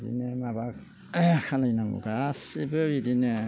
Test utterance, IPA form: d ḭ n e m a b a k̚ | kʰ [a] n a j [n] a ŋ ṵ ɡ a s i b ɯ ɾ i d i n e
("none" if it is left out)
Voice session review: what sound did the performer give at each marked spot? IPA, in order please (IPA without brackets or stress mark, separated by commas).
a, n